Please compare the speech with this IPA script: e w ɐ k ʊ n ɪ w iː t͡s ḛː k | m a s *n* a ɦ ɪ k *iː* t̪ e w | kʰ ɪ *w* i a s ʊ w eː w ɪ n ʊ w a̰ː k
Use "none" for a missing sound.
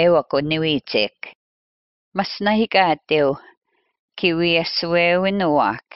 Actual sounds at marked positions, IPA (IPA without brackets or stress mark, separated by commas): n, aː, w